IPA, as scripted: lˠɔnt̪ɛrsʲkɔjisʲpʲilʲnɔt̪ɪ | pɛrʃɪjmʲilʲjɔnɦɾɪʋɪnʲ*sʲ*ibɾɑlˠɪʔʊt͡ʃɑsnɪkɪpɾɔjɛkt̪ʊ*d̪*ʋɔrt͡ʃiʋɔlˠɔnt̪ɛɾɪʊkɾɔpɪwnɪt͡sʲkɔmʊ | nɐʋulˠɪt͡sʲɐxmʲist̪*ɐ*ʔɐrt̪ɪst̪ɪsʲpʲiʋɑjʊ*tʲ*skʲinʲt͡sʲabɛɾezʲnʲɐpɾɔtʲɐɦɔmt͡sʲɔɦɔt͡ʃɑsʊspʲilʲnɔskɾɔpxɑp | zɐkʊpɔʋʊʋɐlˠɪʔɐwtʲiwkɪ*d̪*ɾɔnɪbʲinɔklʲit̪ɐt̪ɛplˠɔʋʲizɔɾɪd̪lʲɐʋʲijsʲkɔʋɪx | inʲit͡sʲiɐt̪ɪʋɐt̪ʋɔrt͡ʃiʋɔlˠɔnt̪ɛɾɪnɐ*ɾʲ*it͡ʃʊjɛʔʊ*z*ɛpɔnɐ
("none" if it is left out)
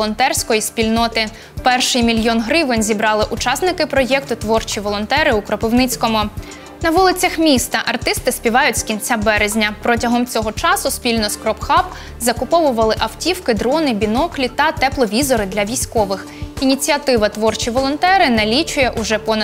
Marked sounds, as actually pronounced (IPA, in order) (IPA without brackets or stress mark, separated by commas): zʲ, t̪, ɐ, tʲ, d̪, lʲ, ʒ